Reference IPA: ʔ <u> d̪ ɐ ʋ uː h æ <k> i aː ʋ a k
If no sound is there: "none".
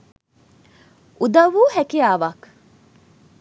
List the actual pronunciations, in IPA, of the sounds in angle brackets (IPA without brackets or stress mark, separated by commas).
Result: u, k